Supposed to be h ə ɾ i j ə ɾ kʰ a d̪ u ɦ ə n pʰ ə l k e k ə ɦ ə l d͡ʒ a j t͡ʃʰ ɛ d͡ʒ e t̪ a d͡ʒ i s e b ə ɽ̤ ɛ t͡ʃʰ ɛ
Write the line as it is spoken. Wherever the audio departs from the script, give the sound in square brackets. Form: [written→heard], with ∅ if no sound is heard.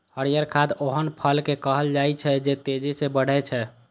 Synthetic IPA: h ə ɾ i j ə ɾ kʰ a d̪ [u→o] ɦ ə n pʰ ə l k e k ə ɦ ə l d͡ʒ a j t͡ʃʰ ɛ d͡ʒ e t̪ [a→e] d͡ʒ i s e b ə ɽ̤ ɛ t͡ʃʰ ɛ